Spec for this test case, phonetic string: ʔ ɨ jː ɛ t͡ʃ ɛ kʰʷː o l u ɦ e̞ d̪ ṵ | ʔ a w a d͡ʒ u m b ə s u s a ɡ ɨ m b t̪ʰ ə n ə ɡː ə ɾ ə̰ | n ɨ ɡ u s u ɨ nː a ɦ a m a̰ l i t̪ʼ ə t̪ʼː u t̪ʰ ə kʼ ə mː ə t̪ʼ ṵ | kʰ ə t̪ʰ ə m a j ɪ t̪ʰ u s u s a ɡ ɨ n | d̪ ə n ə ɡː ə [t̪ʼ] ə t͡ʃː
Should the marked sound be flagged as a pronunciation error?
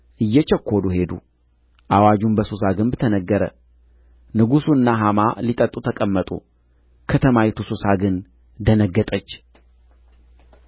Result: no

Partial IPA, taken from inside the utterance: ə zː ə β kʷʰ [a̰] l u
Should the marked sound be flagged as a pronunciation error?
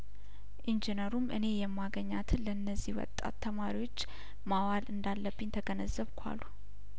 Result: no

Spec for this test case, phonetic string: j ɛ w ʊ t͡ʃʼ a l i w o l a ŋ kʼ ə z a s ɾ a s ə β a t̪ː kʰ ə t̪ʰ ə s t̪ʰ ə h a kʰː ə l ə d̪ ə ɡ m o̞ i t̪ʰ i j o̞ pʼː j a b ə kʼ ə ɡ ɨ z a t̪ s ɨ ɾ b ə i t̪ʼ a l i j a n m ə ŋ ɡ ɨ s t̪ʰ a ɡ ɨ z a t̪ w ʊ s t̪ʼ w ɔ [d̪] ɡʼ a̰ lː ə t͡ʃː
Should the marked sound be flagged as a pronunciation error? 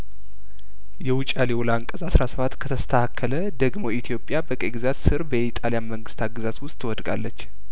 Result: no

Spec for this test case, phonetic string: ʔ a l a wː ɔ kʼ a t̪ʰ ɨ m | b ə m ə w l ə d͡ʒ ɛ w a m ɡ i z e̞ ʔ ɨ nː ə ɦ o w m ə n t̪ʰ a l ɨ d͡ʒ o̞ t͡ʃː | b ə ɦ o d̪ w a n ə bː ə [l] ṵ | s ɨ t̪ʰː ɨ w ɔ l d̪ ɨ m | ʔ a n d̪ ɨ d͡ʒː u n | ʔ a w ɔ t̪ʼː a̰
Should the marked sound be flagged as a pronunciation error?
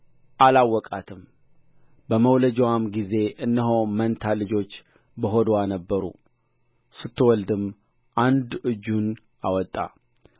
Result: yes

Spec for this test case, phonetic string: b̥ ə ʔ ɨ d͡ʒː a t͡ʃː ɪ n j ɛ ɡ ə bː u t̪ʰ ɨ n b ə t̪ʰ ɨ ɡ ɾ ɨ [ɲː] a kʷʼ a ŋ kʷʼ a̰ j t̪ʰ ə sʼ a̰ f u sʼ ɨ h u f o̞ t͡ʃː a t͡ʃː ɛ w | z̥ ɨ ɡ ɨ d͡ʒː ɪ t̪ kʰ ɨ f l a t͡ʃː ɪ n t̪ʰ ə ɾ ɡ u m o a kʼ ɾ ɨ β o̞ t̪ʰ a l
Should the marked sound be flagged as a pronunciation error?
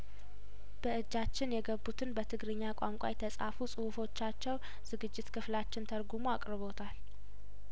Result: no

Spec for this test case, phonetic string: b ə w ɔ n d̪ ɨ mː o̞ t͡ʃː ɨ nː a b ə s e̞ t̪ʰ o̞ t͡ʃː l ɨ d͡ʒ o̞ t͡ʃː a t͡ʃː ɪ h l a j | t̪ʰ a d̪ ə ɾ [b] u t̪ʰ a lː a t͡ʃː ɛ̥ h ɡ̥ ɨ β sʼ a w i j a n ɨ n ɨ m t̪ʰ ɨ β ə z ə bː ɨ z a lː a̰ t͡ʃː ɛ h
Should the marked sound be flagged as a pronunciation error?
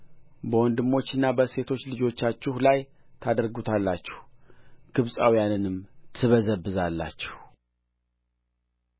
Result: yes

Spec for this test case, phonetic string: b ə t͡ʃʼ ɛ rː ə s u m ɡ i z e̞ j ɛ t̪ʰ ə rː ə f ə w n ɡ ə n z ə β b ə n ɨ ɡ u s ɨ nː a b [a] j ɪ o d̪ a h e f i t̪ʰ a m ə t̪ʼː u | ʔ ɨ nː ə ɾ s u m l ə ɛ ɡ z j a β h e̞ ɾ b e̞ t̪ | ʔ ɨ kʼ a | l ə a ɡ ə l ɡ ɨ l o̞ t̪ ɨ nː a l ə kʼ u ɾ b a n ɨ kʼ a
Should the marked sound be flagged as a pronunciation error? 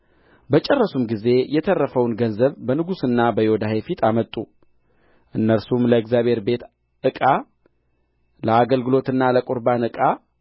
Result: yes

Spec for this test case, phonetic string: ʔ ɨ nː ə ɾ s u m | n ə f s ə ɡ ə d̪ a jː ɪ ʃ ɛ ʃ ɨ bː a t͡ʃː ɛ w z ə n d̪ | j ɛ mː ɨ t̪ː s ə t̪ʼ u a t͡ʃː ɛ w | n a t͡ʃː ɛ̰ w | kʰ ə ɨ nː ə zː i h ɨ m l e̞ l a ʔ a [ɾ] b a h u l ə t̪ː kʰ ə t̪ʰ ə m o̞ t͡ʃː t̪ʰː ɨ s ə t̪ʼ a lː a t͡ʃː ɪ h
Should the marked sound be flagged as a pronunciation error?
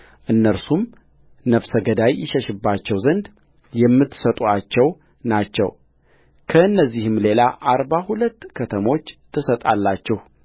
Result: no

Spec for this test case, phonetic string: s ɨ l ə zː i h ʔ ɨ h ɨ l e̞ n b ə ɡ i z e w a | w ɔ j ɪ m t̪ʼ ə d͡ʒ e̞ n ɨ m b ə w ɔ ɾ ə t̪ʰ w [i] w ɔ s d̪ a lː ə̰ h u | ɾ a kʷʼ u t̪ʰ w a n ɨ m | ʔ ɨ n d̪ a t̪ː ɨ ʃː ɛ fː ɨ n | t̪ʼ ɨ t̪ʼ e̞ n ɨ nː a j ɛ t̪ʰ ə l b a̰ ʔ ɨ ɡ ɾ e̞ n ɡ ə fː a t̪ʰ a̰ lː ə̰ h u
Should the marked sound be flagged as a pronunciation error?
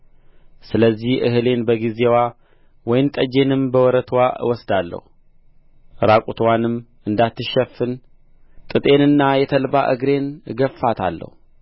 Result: yes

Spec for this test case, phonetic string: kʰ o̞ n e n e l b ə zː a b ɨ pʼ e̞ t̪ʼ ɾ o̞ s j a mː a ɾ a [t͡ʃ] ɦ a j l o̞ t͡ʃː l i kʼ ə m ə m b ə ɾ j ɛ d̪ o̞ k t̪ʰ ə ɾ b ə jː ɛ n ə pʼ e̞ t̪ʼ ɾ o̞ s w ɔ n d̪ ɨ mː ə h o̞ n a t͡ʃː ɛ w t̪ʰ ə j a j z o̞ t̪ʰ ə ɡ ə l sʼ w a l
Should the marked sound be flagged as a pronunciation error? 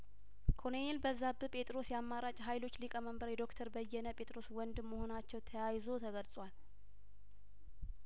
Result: yes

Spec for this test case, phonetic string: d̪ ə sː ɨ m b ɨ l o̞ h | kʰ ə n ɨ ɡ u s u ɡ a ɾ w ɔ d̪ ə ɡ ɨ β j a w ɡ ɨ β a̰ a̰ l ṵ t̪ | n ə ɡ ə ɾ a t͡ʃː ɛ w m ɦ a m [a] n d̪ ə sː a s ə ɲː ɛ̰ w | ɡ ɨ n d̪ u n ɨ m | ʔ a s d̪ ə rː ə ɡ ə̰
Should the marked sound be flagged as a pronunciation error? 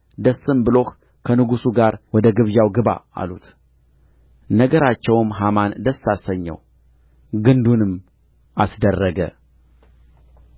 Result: no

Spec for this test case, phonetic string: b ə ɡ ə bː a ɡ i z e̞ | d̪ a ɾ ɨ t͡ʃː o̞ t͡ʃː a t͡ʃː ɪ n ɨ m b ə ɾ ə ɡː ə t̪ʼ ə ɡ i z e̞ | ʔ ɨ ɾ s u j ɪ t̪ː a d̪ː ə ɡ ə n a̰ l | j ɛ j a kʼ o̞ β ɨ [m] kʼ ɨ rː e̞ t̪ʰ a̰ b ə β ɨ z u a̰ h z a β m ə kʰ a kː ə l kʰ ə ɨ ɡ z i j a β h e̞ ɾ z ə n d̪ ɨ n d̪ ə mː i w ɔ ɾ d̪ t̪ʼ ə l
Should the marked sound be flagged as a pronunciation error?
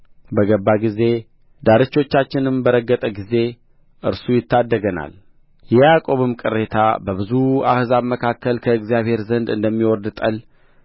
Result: no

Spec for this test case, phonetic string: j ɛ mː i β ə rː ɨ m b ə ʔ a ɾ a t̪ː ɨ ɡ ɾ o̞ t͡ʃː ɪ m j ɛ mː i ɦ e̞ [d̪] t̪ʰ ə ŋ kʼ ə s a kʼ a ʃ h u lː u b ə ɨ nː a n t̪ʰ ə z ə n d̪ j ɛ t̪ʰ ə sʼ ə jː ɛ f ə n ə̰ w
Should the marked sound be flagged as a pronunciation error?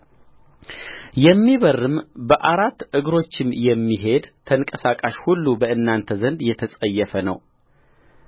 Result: no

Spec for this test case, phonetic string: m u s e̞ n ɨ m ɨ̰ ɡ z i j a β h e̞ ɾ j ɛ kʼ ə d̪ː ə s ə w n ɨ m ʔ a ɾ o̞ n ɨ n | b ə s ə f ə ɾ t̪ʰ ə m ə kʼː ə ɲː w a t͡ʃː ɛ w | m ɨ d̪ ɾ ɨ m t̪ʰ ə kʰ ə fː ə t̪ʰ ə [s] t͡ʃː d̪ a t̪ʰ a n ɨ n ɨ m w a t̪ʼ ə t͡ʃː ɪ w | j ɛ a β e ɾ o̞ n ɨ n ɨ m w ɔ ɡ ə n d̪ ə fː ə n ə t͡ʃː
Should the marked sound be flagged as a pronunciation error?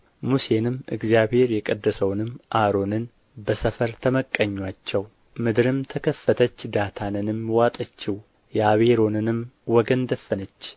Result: yes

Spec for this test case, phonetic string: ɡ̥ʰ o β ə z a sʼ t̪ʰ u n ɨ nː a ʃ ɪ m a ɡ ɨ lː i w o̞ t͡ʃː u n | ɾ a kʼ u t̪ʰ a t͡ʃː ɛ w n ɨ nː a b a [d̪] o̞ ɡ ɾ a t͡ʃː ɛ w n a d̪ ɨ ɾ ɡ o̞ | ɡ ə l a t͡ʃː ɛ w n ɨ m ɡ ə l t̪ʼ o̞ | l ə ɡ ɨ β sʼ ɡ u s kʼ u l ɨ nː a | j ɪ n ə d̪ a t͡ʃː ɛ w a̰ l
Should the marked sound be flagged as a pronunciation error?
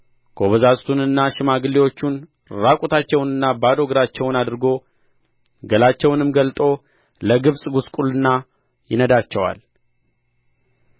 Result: no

